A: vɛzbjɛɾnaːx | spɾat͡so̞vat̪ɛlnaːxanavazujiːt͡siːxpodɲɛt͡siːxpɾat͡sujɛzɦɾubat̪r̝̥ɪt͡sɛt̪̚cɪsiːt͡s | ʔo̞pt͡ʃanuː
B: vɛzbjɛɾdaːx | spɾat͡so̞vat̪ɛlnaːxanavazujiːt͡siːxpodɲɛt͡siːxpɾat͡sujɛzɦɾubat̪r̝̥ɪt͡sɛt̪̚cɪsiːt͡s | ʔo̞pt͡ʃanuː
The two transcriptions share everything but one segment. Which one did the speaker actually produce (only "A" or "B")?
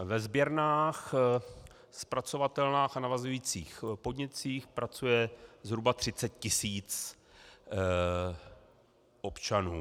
A